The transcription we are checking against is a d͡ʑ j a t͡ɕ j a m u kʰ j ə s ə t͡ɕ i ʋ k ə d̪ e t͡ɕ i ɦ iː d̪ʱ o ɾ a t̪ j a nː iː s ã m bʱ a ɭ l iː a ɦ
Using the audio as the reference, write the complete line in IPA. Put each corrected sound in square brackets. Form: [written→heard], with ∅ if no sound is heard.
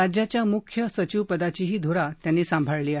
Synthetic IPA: a d͡ʑ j a t͡ɕ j a m u kʰ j ə s ə t͡ɕ i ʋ [k→p] ə d̪ [e→a] t͡ɕ i ɦ iː d̪ʱ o ɾ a t̪ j a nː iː s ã m bʱ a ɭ l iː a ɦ